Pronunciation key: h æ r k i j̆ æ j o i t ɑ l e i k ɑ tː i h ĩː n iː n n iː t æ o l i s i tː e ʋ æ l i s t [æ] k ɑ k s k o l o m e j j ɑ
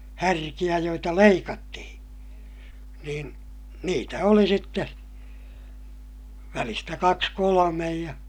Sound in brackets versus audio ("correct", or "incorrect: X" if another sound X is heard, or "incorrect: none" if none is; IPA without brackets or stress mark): correct